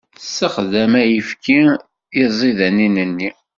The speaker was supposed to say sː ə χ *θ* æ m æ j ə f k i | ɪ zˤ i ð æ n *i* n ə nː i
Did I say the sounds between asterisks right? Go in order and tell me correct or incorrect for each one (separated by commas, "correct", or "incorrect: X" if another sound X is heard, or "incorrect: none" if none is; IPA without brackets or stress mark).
incorrect: ð, correct